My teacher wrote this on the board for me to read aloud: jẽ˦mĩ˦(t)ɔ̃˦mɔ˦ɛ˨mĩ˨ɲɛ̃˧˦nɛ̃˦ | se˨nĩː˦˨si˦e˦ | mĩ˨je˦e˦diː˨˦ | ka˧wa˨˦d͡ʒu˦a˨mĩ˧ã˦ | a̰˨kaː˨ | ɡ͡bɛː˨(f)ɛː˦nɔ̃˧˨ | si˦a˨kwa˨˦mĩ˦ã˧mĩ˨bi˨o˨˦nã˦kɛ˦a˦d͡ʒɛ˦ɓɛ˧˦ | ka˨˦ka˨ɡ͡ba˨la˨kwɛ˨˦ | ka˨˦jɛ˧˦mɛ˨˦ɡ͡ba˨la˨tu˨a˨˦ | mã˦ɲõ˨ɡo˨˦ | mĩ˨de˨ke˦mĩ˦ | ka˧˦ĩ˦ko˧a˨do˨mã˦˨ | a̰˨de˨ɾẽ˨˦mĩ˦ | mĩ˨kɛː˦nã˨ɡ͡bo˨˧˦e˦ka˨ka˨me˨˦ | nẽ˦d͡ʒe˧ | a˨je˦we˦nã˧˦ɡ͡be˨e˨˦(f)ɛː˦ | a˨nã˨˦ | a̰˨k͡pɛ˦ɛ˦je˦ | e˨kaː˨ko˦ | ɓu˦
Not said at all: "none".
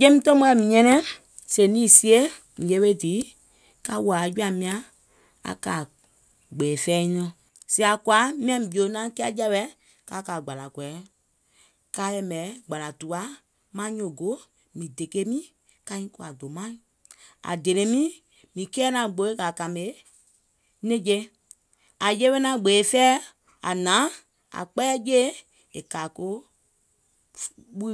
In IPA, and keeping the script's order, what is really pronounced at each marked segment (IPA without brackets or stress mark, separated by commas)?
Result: t, f, f